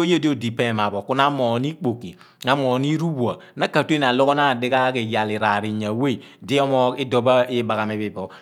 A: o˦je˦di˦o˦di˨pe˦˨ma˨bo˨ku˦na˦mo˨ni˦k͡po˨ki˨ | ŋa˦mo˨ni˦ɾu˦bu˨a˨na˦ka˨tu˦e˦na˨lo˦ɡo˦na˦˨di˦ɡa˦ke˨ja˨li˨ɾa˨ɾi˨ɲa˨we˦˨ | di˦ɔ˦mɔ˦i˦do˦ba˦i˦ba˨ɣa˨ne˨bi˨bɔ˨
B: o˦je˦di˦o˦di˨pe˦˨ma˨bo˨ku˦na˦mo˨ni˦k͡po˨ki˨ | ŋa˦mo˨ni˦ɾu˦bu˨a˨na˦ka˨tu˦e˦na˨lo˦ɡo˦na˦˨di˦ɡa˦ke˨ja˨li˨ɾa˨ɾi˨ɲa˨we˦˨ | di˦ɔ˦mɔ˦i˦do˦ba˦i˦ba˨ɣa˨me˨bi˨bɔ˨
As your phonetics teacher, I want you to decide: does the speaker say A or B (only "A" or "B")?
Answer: B